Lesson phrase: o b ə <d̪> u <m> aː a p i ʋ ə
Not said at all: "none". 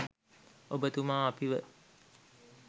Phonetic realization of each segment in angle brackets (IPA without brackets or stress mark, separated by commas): t̪, m